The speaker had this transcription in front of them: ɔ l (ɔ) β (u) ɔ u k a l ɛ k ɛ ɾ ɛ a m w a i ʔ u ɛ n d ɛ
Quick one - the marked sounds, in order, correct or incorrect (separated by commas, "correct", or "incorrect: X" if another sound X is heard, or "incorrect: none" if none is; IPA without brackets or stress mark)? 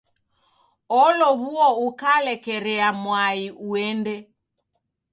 correct, correct